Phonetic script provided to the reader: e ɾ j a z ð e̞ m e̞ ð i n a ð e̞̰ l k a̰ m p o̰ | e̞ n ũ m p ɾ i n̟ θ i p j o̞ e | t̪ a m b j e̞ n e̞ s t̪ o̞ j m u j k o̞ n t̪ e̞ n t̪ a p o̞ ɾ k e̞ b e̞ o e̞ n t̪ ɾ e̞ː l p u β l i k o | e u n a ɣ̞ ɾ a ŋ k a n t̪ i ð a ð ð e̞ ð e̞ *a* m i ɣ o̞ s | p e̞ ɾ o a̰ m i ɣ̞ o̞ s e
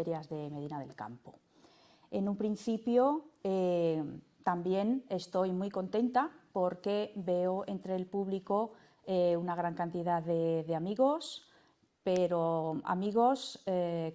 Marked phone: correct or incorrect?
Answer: correct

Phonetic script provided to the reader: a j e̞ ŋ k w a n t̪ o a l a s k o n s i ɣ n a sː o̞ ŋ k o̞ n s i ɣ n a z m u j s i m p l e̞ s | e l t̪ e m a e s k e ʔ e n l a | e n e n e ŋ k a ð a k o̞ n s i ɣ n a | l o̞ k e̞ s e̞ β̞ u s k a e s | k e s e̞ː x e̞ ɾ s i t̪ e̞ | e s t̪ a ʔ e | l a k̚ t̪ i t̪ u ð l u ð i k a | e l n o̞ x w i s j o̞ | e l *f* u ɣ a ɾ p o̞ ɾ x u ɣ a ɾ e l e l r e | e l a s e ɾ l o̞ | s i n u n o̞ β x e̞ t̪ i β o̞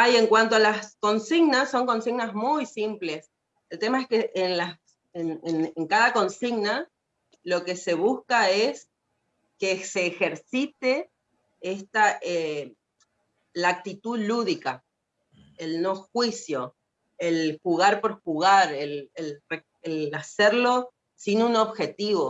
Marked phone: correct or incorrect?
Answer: incorrect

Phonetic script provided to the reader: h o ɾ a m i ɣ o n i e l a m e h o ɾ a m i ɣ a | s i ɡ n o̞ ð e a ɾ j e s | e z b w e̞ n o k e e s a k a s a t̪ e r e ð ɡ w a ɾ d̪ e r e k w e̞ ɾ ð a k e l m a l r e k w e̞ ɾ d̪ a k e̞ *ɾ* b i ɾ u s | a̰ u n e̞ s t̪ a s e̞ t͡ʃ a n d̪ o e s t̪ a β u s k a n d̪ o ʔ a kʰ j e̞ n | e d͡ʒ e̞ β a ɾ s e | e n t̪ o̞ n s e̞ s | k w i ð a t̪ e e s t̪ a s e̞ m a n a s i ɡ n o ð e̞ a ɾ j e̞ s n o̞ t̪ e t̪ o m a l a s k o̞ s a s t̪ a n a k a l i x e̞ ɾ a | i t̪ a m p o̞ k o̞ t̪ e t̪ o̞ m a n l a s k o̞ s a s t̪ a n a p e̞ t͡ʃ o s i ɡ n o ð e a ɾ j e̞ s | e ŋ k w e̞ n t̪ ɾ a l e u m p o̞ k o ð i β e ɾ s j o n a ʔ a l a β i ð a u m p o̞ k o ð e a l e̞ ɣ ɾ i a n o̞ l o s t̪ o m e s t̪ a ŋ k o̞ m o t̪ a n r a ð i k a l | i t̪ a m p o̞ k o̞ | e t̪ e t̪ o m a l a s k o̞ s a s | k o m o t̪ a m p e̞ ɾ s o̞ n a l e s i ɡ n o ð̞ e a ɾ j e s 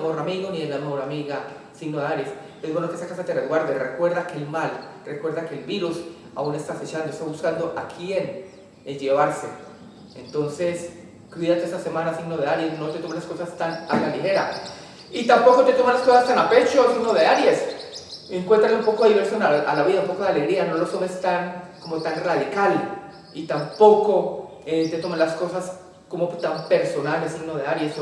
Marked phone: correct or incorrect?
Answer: incorrect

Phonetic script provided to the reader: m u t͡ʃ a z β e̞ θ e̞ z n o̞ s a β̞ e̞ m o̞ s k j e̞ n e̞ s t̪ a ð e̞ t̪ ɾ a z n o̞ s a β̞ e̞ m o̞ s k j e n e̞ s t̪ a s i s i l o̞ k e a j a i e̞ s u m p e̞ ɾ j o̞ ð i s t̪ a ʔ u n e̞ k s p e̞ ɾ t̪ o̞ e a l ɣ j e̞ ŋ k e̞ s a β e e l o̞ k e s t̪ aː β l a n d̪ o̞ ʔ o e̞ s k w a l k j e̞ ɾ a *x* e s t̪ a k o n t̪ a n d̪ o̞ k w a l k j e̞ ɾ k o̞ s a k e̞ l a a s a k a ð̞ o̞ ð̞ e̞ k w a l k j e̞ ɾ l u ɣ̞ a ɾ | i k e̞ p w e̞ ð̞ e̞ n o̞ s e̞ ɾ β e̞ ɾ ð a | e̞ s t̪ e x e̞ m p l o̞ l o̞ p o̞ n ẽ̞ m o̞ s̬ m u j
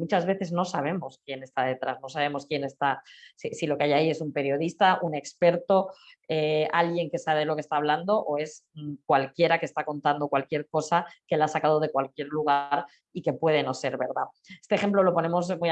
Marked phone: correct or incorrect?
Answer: incorrect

